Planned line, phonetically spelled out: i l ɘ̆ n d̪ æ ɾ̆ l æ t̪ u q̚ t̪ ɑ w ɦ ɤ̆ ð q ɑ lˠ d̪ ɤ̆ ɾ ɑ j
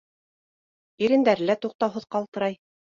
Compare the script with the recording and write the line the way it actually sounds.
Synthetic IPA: i ɾ ɘ̆ n d̪ æ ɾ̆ l æ t̪ u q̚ t̪ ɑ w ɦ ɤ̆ ð q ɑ lˠ t̪ ɤ̆ ɾ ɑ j